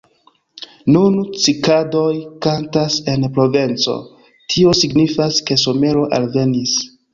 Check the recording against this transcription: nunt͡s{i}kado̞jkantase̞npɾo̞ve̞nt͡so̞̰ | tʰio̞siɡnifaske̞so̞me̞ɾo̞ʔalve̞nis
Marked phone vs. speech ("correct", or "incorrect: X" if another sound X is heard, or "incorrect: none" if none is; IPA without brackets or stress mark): correct